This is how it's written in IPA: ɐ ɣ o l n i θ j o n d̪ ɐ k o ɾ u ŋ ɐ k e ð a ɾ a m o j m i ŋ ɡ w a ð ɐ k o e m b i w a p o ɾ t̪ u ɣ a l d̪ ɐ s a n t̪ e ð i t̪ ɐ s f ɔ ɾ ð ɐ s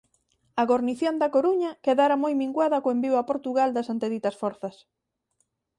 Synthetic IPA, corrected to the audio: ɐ ɣ o ɾ n i θ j o n d̪ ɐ k o ɾ u ɲ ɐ k e ð a ɾ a m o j m i ŋ ɡ w a ð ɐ k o e m b i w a p o ɾ t̪ u ɣ a l d̪ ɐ s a n t̪ e ð i t̪ ɐ s f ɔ ɾ θ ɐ s